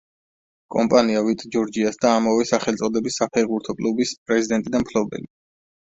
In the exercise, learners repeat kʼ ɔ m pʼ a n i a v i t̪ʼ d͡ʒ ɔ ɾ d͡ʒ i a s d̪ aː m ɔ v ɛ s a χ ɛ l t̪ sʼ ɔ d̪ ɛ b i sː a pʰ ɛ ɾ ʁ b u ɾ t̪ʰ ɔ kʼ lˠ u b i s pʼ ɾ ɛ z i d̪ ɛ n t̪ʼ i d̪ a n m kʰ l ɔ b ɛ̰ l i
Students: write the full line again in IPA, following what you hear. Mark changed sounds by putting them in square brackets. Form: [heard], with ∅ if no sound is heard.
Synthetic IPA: kʼ ɔ m pʼ a n i a v i t̪ʼ d͡ʒ ɔ ɾ d͡ʒ i a s d̪ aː m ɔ v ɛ s a χ ɛ l t̪ sʼ ɔ d̪ ɛ b i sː a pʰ ɛ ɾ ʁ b u ɾ t̪ʰ ɔ kʼ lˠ u b i s pʼ ɾ ɛ z i d̪ ɛ n t̪ʼ i d̪ a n m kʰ l ɔ b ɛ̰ l i